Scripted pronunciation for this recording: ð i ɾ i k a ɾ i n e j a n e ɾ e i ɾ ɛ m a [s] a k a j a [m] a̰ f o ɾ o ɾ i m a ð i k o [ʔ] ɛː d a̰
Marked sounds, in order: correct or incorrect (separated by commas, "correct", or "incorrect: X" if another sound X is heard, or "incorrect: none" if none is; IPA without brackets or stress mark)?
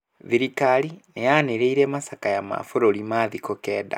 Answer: correct, correct, incorrect: k